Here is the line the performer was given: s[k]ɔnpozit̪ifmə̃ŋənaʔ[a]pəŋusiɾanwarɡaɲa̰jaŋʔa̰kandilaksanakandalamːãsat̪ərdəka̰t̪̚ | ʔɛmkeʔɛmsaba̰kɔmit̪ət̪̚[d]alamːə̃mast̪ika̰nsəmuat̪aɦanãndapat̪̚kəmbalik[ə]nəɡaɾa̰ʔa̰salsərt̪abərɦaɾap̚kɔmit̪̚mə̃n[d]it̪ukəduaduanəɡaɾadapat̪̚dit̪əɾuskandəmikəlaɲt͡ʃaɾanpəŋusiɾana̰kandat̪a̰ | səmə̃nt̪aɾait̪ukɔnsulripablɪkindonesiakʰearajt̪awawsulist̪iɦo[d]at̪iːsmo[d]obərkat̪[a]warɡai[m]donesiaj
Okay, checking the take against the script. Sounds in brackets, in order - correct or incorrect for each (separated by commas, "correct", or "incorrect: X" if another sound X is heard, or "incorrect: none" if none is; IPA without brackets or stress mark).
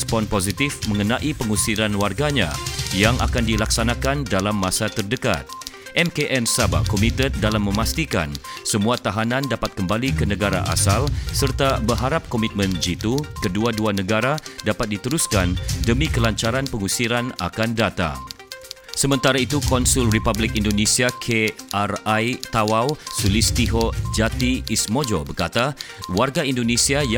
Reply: incorrect: p, incorrect: i, correct, correct, incorrect: d͡ʒ, incorrect: d͡ʒ, incorrect: d͡ʒ, correct, incorrect: n